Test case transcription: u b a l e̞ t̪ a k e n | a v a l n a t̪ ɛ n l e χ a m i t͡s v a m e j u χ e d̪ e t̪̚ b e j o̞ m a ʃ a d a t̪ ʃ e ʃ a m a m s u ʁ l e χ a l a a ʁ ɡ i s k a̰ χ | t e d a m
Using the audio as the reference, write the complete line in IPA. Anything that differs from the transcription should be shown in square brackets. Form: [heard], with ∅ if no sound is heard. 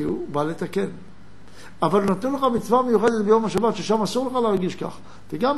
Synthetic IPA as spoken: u b a l e̞ t̪ a k e n | a v a l n a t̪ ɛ n l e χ a m i t͡s v a m e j u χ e d̪ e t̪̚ b e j o̞ m a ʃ a [b] a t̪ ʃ e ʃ a m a [∅] s u ʁ l e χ a l [e] a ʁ ɡ i [ʃ] k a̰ χ | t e [ɡ] a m